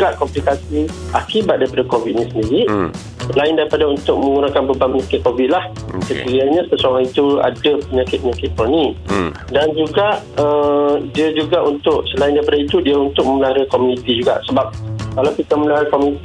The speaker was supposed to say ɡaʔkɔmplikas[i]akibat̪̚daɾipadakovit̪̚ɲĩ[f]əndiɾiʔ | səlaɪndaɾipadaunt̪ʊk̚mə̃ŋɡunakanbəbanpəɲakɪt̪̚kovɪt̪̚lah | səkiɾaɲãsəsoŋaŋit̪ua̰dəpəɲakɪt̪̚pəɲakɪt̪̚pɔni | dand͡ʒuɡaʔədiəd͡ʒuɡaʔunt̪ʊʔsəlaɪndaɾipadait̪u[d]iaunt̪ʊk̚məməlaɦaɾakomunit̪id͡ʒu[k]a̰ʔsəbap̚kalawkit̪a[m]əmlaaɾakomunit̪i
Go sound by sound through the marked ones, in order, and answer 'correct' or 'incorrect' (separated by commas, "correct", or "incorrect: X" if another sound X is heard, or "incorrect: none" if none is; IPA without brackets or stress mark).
correct, incorrect: s, correct, incorrect: ɡ, correct